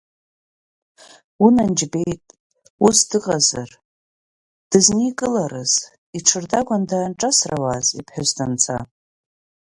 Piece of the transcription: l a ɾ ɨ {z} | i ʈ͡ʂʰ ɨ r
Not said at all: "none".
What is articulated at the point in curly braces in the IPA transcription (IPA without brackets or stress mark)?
z